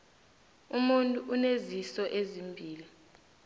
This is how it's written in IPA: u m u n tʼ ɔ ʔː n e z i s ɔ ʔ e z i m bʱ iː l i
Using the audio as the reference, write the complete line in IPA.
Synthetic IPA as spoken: u m u n tʼ u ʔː n e z i s ɔ ʔ e z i m bʱ iː l i